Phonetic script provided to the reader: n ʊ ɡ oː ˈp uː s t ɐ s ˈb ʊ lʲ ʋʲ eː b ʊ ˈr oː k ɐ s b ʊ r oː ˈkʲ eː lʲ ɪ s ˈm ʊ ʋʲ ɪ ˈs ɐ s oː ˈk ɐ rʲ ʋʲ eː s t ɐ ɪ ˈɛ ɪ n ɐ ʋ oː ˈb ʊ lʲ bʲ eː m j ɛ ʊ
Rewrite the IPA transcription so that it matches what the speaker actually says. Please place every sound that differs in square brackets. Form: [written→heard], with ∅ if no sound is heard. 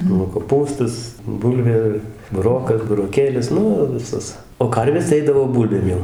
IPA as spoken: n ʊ [ɡ→k] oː ˈp uː s t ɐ s ˈb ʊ lʲ ʋʲ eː b ʊ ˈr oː k ɐ s b ʊ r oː ˈkʲ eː lʲ ɪ s [ˈm→ˈn] ʊ ʋʲ ɪ ˈs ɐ s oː ˈk ɐ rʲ ʋʲ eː s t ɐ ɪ ˈɛ ɪ [n→d] ɐ ʋ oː ˈb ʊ lʲ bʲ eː m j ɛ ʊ